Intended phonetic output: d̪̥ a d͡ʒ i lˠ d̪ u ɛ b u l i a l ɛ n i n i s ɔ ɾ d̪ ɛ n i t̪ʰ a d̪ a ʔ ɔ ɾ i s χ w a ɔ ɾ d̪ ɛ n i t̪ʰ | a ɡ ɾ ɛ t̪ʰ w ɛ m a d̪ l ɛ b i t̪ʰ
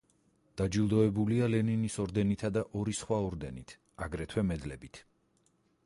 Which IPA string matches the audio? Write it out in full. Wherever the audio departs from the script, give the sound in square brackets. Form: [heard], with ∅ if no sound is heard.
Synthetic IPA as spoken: d̪̥ a d͡ʒ i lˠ d̪ [ɔ] ɛ b u l i a l ɛ n i n i s ɔ ɾ d̪ ɛ n i t̪ʰ a d̪ a ʔ ɔ ɾ i s χ w a ɔ ɾ d̪ ɛ n i t̪ʰ | a ɡ ɾ ɛ t̪ʰ w ɛ m [ɛ] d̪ l ɛ b i t̪ʰ